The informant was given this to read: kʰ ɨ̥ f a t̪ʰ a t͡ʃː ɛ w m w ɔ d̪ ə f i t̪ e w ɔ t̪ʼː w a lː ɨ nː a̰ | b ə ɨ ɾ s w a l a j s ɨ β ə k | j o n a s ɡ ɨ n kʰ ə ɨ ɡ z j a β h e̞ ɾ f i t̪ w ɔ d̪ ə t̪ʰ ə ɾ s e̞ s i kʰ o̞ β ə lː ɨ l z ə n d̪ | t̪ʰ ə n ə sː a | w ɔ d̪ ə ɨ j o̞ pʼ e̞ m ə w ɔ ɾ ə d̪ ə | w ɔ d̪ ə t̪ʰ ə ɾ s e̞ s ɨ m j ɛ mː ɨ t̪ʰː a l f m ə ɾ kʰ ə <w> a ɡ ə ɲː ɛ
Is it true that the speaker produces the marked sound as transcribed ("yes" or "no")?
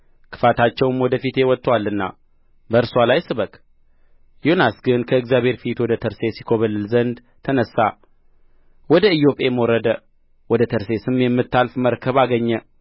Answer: no